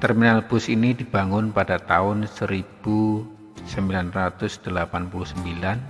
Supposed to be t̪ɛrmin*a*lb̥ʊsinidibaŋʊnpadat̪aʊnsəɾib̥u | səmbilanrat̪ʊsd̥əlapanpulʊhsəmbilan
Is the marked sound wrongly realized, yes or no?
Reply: no